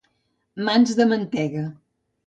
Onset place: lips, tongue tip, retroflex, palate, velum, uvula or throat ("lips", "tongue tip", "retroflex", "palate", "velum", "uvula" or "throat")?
lips